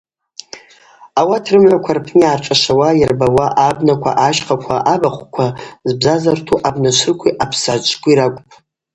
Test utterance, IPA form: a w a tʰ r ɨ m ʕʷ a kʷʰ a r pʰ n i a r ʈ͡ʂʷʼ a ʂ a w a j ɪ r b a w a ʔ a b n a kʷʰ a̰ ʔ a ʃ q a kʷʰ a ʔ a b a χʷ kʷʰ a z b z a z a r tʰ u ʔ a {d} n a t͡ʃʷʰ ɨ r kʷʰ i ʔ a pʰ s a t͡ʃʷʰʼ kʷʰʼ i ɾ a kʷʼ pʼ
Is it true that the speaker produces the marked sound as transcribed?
no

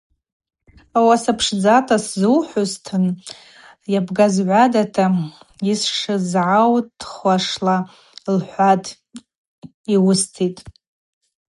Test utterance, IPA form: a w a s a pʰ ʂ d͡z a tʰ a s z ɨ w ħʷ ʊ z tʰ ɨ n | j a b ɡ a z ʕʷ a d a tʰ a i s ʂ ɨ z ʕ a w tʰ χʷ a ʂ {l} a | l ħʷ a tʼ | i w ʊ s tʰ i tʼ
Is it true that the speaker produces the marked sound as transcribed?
yes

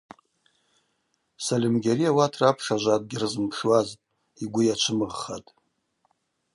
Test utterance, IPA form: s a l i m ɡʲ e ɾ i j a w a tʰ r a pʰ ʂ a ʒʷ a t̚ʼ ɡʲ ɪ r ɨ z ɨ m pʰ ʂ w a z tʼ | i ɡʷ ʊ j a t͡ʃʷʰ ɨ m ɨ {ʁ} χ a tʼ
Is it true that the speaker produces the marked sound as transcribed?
yes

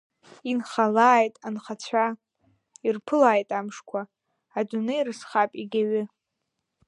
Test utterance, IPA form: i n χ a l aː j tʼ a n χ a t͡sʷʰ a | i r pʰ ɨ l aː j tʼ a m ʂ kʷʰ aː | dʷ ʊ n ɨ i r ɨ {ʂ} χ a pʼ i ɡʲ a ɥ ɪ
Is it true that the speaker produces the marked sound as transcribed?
no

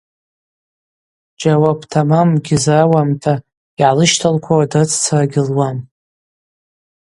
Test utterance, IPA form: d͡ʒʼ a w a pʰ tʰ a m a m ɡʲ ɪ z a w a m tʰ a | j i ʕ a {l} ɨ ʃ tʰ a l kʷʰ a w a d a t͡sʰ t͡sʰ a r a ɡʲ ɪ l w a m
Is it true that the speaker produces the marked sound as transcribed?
yes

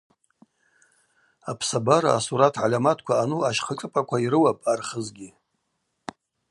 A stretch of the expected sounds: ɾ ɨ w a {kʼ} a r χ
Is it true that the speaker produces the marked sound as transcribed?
no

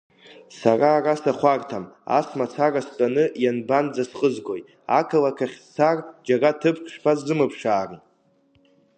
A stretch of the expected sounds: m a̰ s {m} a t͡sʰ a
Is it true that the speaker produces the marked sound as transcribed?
yes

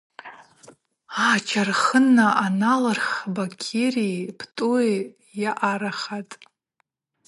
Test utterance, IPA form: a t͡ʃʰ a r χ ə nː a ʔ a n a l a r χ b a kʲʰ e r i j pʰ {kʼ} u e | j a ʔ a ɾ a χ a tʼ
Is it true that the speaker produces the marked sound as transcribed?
no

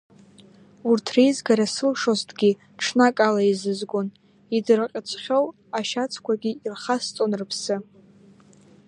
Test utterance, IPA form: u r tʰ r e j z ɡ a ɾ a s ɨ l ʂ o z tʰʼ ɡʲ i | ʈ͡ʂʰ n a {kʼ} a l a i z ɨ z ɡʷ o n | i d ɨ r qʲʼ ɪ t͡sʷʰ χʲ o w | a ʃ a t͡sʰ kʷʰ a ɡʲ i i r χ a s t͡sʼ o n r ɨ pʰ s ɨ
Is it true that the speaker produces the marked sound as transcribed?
yes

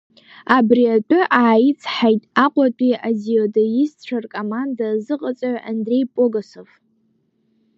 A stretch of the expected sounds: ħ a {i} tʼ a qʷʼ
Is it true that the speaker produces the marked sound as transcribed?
no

